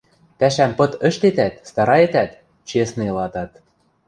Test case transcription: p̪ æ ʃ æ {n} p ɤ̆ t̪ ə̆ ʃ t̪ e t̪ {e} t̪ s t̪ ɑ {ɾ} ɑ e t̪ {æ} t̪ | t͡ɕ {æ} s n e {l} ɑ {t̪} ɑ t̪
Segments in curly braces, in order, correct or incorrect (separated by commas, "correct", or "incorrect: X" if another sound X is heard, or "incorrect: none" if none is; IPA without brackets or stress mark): incorrect: m, incorrect: æ, correct, correct, incorrect: e, correct, correct